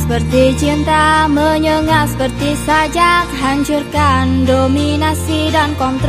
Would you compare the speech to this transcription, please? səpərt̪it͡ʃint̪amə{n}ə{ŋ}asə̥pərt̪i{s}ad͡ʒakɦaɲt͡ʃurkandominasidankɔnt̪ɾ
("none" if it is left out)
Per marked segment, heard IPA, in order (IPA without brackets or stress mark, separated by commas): ɲ, ŋ, s